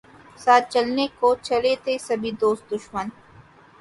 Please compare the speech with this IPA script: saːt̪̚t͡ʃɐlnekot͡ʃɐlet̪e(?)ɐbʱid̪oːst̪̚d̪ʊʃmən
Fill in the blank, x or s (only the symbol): s